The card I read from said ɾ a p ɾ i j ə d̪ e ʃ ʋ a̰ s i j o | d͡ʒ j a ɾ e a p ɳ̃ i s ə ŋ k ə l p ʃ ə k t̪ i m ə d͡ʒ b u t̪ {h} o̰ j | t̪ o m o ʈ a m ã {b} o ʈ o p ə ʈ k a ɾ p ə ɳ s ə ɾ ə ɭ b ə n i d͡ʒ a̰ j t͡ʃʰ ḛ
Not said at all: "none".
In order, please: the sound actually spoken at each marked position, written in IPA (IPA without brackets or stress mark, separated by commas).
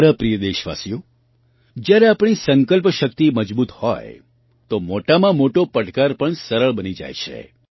h, m